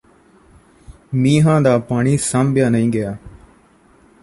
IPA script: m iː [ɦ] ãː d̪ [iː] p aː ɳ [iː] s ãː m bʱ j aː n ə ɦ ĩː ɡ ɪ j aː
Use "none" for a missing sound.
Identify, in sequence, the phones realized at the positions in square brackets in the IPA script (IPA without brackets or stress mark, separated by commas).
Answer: ɦ, aː, iː